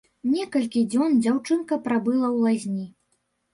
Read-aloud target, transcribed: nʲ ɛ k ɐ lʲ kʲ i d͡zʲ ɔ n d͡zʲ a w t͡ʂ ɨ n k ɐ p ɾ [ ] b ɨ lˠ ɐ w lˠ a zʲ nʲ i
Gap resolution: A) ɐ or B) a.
B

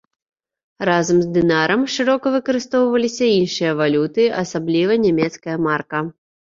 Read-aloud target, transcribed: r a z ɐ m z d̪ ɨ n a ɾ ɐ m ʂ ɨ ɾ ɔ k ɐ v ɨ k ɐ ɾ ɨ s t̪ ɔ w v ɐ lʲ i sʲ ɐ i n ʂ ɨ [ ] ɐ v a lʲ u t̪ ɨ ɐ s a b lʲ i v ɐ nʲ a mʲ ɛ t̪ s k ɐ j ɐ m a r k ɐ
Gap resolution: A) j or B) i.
A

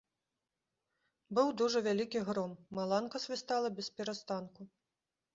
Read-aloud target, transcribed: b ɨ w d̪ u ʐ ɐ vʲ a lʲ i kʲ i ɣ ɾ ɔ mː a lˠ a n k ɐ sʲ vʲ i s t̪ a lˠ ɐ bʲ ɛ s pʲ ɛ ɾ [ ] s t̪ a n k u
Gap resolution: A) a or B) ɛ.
A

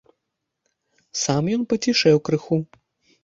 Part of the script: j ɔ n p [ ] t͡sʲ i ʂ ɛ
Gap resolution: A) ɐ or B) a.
A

